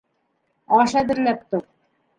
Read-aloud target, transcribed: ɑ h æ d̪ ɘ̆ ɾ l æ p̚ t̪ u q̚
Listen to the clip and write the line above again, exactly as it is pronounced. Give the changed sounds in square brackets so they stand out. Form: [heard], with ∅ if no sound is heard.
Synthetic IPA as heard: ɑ [ʃ] æ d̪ ɘ̆ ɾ l æ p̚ t̪ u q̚